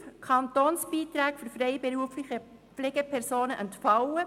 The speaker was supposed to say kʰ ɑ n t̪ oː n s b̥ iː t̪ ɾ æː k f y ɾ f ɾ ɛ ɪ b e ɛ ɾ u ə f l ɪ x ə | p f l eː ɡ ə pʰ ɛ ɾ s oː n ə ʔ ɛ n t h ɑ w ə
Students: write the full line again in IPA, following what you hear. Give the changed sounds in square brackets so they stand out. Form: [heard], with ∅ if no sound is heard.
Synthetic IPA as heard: kʰ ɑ n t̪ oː n s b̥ iː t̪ ɾ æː k f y ɾ f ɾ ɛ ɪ b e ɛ ɾ u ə f l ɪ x ə | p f l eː ɡ ə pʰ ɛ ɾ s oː n ə ʔ ɛ n t [f] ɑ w ə